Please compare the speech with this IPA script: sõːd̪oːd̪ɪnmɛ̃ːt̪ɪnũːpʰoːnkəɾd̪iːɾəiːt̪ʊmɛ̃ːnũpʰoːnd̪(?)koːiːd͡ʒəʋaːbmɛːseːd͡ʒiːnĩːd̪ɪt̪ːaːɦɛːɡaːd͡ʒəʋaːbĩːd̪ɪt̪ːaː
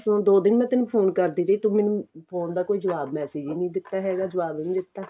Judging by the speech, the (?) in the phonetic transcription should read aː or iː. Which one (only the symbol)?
aː